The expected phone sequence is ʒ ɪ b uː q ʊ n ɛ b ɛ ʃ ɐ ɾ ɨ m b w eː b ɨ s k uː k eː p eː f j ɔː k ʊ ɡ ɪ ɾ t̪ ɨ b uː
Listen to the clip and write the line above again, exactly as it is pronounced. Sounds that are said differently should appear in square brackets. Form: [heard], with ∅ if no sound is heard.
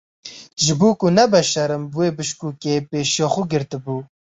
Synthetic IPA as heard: ʒ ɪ b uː [k] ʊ n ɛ b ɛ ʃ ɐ ɾ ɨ m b w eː b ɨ [ʃ] k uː k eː p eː [ʃ] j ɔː [x] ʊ ɡ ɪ ɾ t̪ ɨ b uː